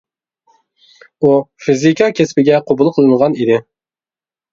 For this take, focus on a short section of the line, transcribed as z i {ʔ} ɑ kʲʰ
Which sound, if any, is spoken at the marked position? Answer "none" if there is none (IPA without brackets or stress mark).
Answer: k